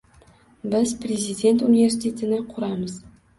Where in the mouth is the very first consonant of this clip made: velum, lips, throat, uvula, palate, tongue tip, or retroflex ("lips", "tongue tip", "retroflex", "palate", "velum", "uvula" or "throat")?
lips